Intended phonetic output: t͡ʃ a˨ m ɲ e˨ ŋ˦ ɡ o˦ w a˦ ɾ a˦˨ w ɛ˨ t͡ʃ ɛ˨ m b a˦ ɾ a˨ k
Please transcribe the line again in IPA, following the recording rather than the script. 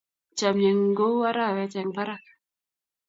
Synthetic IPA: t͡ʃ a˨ m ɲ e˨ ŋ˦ ɡ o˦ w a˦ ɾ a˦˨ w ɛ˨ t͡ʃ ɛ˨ ŋ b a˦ ɾ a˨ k